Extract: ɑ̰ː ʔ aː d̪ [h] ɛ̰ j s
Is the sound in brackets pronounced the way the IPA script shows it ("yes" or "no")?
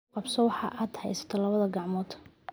yes